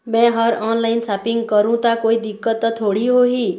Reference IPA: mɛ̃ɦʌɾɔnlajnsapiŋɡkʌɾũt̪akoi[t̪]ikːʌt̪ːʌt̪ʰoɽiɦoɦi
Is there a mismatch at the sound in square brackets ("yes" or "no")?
yes